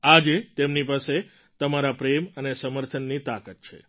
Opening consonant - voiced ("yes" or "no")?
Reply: yes